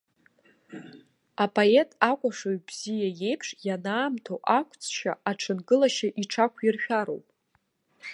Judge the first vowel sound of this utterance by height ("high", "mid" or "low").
low